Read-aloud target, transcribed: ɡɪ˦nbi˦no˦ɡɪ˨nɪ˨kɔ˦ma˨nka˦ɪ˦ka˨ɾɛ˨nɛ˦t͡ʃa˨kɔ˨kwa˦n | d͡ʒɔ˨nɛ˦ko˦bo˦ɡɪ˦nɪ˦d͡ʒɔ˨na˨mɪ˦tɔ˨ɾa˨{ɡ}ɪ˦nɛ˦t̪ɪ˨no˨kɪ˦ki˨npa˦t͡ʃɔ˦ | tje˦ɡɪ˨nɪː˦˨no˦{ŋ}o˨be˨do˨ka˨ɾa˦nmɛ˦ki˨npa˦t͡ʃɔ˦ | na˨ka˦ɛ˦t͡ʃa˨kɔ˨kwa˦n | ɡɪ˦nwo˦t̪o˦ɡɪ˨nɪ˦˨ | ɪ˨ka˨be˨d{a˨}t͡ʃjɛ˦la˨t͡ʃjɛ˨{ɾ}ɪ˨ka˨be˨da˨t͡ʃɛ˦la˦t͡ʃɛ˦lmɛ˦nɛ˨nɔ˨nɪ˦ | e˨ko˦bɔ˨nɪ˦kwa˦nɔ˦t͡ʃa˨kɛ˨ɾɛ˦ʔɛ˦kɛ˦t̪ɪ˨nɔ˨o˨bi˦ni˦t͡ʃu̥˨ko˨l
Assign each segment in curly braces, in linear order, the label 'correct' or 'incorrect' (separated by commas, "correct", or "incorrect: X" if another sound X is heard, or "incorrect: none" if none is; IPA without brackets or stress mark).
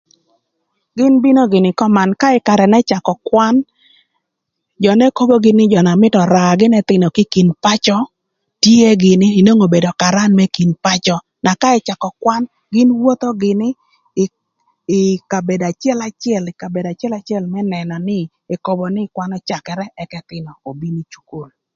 correct, correct, correct, incorrect: l